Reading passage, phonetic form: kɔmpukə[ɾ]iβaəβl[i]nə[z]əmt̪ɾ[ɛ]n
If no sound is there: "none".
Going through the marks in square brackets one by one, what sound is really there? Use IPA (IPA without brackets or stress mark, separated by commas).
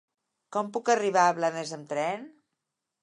r, a, z, ɛ